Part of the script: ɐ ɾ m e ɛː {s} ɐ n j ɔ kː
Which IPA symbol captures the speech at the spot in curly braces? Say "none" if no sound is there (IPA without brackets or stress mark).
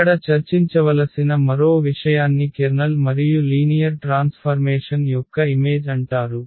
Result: ʂ